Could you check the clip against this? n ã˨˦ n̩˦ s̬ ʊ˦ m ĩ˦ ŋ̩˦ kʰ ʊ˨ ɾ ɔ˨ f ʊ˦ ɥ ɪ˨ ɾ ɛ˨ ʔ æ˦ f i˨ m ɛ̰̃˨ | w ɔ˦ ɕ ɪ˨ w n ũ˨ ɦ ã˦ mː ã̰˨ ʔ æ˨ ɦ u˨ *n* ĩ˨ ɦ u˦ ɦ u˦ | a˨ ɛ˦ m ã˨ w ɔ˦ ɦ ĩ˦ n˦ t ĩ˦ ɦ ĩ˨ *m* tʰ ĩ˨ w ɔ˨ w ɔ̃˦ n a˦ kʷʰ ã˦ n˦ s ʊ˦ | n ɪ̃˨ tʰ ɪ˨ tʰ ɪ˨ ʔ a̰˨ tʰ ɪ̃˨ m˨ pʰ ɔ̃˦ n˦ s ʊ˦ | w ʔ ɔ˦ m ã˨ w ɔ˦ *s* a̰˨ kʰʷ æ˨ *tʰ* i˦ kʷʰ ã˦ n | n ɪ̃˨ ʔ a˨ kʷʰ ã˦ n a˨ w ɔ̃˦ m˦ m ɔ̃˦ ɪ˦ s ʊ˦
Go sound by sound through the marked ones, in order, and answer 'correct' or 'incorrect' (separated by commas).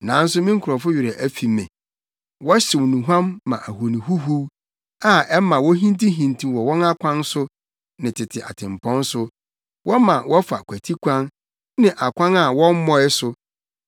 correct, incorrect, incorrect, correct